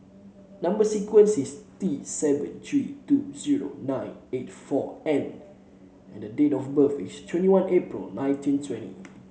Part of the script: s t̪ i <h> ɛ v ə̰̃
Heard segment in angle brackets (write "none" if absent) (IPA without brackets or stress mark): s